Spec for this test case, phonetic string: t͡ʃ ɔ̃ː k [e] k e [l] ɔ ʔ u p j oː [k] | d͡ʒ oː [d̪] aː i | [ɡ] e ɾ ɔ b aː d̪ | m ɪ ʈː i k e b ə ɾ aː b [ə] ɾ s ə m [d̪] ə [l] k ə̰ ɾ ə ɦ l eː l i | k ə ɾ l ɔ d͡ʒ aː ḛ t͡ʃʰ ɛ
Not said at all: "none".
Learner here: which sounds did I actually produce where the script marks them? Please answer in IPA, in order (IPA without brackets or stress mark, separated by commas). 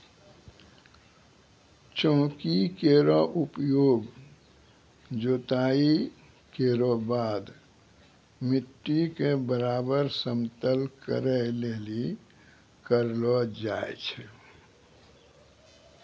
i, ɾ, ɡ, t̪, k, ə, t̪, l